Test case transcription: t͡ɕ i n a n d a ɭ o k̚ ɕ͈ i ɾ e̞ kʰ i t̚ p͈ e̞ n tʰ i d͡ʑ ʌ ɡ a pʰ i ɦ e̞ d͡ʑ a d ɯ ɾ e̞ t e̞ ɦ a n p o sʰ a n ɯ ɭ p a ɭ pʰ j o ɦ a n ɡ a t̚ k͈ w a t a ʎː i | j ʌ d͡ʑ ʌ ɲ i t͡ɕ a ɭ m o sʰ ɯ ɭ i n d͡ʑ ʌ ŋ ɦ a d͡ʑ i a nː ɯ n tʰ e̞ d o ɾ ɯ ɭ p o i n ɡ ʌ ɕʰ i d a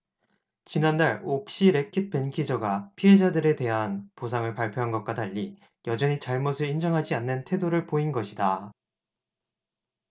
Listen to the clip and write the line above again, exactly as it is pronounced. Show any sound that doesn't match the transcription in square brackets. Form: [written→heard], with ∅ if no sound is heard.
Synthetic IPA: t͡ɕ i n a n d a ɭ o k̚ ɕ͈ i ɾ e̞ kʰ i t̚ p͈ e̞ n [tʰ→kʰ] i d͡ʑ ʌ ɡ a pʰ i ɦ e̞ d͡ʑ a d ɯ ɾ e̞ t e̞ ɦ a n p o sʰ a [n→ŋ] ɯ ɭ p a ɭ pʰ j o ɦ a n ɡ [a→ʌ] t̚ k͈ w a t a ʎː i | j ʌ d͡ʑ ʌ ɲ i t͡ɕ a ɭ m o sʰ ɯ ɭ i n d͡ʑ ʌ ŋ ɦ a d͡ʑ i a nː ɯ n tʰ e̞ d o ɾ ɯ ɭ p o i n ɡ ʌ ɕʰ i d a